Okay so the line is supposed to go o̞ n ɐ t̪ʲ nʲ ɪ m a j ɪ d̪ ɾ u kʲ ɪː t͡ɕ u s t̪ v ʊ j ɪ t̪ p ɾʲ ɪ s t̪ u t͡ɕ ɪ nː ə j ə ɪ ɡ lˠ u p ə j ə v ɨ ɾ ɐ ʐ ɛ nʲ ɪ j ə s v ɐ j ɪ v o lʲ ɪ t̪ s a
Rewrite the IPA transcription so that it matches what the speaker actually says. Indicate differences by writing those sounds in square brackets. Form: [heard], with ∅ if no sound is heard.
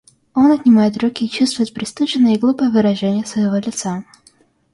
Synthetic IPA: o̞ n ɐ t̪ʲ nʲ ɪ m a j ɪ [t̪] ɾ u kʲ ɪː t͡ɕ u s t̪ v ʊ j ɪ t̪ p ɾʲ ɪ s t̪ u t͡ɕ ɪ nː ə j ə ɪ ɡ lˠ u p ə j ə v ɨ ɾ ɐ ʐ ɛ nʲ ɪ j ə s v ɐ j ɪ v o lʲ ɪ t̪ s a

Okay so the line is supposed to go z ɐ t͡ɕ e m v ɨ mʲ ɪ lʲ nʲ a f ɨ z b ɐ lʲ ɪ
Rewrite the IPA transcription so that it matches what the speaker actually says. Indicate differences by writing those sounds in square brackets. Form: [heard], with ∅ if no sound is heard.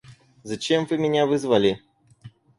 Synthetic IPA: z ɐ t͡ɕ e m v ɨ mʲ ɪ [∅] nʲ a [v] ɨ z [v] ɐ lʲ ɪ

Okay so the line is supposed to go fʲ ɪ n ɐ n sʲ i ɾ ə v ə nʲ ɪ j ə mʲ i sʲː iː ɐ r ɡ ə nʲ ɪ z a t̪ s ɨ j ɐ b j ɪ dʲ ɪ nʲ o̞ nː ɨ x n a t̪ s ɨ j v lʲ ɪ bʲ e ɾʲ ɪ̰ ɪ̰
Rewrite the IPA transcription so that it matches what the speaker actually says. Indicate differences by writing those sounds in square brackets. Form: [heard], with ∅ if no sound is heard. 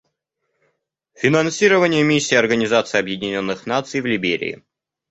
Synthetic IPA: fʲ ɪ n ɐ n sʲ i ɾ ə v ə nʲ ɪ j ə mʲ i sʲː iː ɐ r ɡ ə nʲ ɪ z a t̪ s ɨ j ɐ b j ɪ dʲ ɪ nʲ o̞ nː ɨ x n a t̪ s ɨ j v lʲ ɪ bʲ e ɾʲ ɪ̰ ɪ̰

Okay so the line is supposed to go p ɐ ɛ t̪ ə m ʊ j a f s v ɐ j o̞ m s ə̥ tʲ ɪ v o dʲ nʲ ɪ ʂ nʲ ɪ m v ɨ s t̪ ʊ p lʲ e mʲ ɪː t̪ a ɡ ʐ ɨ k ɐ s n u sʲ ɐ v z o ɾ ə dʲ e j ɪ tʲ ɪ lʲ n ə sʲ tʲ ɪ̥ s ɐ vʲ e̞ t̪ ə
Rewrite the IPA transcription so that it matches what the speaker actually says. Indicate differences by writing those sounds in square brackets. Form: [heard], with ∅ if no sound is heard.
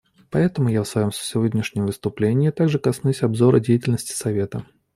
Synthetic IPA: p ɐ ɛ t̪ ə m ʊ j a f s v ɐ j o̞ m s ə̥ [sʲ] ɪ v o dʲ nʲ ɪ ʂ nʲ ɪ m v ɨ s t̪ ʊ p lʲ e [nʲ] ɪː t̪ a ɡ ʐ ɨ k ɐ s n u sʲ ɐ [b] z o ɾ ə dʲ e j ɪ tʲ ɪ lʲ n ə sʲ tʲ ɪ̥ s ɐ vʲ e̞ t̪ ə

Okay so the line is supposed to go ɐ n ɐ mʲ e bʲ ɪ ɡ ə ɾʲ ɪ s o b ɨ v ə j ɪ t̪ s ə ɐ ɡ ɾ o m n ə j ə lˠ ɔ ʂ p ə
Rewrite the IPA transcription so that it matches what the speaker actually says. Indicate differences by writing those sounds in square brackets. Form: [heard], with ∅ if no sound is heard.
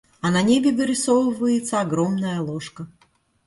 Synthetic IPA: ɐ n ɐ [nʲ] e bʲ ɪ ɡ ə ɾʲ ɪ s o [v] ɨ v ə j ɪ t̪ s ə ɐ ɡ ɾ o m n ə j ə lˠ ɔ ʂ [k] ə

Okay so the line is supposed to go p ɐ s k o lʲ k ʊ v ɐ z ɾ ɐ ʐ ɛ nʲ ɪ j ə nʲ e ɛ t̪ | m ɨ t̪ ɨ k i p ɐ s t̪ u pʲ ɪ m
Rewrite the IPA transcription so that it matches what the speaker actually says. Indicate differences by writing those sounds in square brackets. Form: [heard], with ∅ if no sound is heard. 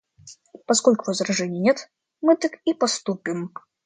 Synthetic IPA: p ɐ s k o lʲ k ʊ v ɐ z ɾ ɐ ʐ ɛ nʲ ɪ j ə nʲ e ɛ t̪ | m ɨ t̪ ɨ k i p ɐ s t̪ u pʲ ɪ m

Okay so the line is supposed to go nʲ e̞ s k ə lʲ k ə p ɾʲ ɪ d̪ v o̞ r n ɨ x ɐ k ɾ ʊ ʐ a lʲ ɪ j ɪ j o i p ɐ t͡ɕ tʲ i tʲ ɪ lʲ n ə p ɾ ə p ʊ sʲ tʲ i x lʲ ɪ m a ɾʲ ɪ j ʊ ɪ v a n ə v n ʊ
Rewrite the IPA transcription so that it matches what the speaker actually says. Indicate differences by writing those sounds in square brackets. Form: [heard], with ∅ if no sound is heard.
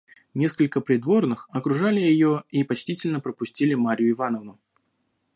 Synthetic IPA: nʲ e̞ s k ə lʲ k ə p ɾʲ ɪ d̪ v o̞ r n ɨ x ɐ k ɾ ʊ ʐ a lʲ ɪ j ɪ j o i p ɐ t͡ɕ tʲ i tʲ ɪ lʲ n ə p ɾ ə p ʊ sʲ tʲ i [∅] lʲ ɪ m a ɾʲ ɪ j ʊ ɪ v a n ə v n ʊ

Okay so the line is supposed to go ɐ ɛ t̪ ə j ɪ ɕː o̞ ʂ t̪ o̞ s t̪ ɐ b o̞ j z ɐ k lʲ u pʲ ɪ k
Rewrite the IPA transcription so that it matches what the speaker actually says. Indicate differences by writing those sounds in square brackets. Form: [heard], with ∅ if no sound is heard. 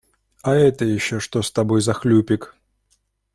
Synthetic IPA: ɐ ɛ t̪ ə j ɪ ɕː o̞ ʂ t̪ o̞ s t̪ ɐ b o̞ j z ɐ [x] lʲ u pʲ ɪ k

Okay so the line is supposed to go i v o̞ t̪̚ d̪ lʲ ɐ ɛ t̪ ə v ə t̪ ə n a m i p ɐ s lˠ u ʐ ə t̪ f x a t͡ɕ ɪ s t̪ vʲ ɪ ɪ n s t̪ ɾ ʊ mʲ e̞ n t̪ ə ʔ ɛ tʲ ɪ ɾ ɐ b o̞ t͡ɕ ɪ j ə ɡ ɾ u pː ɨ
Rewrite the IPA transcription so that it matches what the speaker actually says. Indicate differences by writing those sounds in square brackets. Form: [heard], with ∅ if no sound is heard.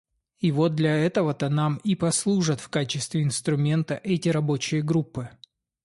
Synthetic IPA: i v o̞ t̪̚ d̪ lʲ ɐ ɛ t̪ ə v ə t̪ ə n a m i p ɐ s lˠ u ʐ ə t̪ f [k] a t͡ɕ ɪ s t̪ vʲ ɪ ɪ n s t̪ ɾ ʊ mʲ e̞ n t̪ ə ʔ ɛ tʲ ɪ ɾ ɐ b o̞ t͡ɕ ɪ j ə ɡ ɾ u pː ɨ

